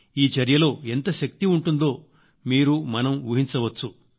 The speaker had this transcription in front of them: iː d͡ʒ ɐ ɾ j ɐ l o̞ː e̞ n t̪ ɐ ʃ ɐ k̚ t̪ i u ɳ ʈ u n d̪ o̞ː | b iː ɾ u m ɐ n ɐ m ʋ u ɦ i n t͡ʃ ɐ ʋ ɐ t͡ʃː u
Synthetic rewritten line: iː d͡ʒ ɐ ɾ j ɐ l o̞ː e̞ n t̪ ɐ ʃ ɐ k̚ t̪ i u ɳ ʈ u n d̪ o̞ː | m iː ɾ u m ɐ n ɐ m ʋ u ɦ i n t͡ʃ ɐ ʋ ɐ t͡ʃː u